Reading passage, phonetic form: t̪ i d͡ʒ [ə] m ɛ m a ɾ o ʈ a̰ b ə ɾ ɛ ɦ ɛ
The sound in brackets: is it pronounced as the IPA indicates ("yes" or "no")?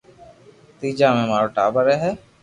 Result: no